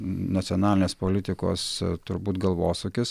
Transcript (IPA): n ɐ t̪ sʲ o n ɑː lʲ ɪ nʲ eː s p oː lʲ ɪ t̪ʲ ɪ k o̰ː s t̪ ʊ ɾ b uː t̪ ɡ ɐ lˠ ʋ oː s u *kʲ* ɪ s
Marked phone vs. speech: correct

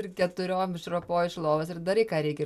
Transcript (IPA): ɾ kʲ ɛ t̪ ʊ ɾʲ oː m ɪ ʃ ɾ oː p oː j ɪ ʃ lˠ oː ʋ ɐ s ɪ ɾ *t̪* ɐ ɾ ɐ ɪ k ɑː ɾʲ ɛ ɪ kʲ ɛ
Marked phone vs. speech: incorrect: d̪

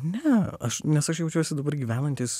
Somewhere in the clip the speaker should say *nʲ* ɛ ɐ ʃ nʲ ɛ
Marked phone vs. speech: correct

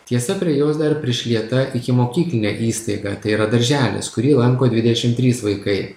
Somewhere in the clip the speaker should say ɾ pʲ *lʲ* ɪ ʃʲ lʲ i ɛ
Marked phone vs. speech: incorrect: ɾʲ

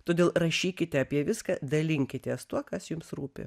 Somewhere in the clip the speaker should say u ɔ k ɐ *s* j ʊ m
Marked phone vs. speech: correct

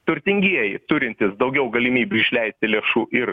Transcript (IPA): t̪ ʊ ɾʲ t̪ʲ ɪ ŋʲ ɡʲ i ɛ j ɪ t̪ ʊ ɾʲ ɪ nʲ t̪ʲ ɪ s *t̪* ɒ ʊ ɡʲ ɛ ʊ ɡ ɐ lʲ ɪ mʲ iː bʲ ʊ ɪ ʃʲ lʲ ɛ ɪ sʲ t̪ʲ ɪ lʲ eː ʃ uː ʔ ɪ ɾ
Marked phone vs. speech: incorrect: d̪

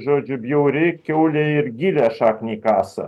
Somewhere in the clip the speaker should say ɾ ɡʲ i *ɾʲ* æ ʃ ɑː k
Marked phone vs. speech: incorrect: lʲ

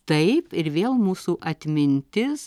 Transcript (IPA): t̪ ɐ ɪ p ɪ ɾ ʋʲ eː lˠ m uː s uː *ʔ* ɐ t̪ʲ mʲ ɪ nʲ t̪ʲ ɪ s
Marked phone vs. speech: correct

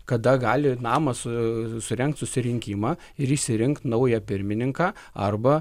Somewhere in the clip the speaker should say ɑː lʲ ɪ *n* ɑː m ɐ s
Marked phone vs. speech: correct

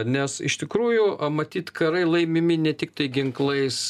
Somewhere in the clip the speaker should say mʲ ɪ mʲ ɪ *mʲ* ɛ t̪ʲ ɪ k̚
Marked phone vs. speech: incorrect: nʲ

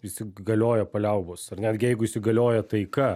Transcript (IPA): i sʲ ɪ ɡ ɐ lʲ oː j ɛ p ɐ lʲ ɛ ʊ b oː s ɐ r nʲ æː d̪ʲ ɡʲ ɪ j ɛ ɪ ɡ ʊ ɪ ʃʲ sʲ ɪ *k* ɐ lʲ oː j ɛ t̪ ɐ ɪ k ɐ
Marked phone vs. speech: incorrect: ɡ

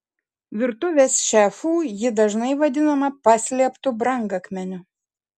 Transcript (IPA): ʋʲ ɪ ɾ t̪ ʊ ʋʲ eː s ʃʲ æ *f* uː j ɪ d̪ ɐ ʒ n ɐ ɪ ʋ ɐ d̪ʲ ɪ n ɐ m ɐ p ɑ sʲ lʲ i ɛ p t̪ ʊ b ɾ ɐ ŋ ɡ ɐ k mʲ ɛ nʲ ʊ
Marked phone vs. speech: correct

